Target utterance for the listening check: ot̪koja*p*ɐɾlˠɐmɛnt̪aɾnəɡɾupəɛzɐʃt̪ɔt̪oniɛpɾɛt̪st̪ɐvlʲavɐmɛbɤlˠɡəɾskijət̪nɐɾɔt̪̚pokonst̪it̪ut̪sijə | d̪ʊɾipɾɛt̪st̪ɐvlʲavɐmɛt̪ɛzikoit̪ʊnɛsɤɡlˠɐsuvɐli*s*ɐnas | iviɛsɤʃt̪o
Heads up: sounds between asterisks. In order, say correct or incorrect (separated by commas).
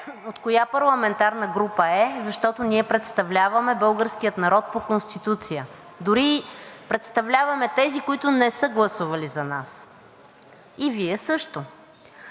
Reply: correct, incorrect